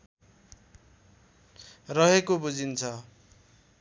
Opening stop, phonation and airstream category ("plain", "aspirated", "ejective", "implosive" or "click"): plain